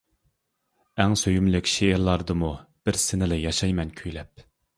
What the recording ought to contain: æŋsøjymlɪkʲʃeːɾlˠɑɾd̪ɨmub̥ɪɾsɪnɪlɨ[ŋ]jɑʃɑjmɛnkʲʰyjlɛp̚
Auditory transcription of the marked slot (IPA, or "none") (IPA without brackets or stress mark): none